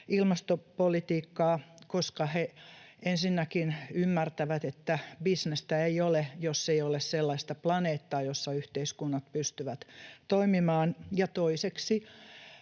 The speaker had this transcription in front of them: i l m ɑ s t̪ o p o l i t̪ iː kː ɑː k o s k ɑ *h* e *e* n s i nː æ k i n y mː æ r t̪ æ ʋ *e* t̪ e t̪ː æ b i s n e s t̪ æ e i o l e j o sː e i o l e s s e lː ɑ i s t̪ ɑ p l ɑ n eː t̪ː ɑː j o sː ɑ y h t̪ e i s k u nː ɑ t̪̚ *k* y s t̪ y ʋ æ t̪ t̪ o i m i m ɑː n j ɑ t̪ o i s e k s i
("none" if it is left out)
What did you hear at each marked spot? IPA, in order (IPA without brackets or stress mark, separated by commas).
h, e, æ, p